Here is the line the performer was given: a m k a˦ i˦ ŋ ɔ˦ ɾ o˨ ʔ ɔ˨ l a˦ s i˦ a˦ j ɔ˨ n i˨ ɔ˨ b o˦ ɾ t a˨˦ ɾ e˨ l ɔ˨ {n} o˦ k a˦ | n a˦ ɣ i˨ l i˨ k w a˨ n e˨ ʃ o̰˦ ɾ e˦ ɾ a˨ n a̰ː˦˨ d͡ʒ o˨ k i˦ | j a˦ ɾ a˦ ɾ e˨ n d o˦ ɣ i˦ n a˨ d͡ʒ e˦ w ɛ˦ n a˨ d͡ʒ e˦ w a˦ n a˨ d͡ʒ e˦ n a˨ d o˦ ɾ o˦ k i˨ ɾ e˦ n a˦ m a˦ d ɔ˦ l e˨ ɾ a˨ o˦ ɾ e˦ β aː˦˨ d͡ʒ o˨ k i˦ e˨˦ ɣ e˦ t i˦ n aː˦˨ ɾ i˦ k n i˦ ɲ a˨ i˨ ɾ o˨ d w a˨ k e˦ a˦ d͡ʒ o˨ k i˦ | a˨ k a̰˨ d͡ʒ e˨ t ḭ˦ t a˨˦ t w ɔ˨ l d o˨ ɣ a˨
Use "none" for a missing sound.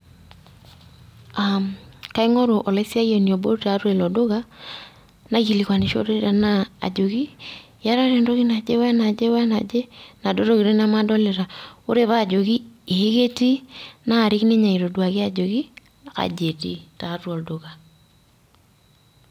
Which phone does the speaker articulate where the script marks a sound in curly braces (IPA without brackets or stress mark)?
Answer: d